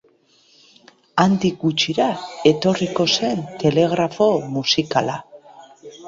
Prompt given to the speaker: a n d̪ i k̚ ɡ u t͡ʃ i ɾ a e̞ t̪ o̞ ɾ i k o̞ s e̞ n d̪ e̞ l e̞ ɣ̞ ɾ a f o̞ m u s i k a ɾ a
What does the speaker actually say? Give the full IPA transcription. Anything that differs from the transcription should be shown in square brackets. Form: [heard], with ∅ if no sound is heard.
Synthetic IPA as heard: a n d̪ i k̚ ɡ u t͡ʃ i ɾ a e̞ t̪ o̞ [r] i k o̞ s e̞ n [t̪] e̞ l e̞ ɣ̞ ɾ a f o̞ m u s i k a [l] a